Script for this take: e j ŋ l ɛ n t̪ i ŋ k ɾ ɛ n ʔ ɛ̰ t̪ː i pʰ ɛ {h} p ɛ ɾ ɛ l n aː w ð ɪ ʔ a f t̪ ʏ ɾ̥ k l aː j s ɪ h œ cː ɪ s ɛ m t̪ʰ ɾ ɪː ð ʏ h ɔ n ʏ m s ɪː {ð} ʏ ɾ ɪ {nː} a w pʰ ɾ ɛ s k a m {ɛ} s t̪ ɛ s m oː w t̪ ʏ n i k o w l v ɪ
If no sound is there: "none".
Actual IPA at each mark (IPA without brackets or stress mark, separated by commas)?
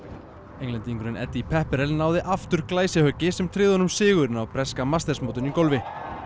h, ɣ, n, a